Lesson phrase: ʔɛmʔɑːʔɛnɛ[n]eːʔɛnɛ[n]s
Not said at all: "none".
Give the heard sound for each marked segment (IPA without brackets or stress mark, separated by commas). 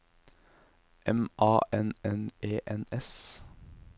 n, none